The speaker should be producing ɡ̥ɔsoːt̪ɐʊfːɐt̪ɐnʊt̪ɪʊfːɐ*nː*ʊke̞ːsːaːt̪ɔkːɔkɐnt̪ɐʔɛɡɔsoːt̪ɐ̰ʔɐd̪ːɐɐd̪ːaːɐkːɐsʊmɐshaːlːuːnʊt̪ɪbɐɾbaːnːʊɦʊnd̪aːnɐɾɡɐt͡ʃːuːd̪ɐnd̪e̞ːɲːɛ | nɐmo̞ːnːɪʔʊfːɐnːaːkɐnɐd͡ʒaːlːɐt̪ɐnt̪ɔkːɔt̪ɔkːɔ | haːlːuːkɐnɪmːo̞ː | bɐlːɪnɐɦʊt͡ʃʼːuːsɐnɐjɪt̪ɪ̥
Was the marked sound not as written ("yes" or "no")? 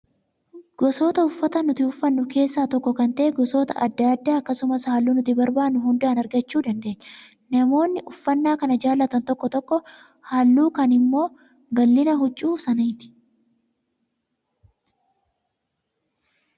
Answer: no